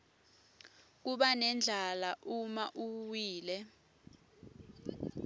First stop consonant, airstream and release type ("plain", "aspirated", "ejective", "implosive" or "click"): plain